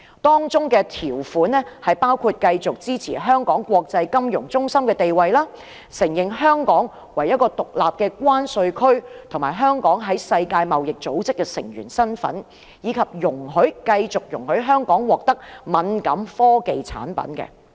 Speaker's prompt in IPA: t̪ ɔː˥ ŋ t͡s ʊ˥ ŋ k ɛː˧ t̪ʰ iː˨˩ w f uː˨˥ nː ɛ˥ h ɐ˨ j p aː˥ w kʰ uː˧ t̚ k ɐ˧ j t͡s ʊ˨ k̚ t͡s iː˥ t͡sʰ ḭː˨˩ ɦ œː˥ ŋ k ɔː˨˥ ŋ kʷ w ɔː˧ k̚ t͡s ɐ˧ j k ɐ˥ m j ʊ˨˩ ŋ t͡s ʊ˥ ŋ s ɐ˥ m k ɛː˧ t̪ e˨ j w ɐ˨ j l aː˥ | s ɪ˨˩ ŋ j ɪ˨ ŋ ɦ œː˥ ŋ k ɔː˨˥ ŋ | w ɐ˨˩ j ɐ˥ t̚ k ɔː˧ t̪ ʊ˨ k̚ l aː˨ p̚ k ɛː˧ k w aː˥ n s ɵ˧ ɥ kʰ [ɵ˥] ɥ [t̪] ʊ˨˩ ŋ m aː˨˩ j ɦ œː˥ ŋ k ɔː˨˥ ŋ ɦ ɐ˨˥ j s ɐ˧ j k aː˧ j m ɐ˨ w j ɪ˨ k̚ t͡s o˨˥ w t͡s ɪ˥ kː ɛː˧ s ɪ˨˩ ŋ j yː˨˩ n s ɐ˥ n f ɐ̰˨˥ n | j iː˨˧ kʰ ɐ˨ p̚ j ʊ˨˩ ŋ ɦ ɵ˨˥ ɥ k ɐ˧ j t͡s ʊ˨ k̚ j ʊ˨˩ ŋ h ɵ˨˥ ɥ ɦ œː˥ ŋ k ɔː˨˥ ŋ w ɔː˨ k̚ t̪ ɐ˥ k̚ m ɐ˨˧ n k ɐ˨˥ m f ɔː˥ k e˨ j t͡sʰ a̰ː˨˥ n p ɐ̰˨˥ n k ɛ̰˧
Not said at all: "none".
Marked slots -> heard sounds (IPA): ɵ˥, t̪ʰ

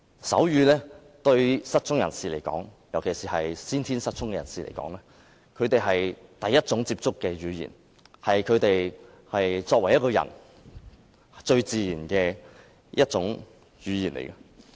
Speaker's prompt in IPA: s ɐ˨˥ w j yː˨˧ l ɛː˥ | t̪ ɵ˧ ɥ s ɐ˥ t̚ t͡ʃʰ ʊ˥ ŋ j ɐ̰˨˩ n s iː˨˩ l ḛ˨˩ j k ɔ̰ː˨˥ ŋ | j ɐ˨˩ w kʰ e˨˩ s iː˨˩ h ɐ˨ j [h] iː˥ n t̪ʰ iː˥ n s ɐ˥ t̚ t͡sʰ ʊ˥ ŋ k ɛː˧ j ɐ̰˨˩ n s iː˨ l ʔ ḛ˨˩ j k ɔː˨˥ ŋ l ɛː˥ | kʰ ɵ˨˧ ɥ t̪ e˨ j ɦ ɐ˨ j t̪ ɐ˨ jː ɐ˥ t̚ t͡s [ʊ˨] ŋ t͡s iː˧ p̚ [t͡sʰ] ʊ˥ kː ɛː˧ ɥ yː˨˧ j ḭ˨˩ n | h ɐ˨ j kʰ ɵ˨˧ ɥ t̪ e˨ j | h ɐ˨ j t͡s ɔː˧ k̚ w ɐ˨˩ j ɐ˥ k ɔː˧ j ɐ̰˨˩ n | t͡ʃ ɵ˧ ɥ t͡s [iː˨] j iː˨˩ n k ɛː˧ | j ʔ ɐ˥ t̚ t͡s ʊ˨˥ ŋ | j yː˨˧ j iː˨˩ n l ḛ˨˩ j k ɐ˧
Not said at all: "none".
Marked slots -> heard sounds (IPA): s, ʊ˨˥, t͡s, iː˨

